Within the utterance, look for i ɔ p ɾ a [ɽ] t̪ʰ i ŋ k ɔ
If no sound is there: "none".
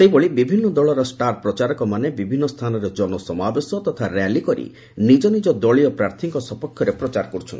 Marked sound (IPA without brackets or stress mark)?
ɾ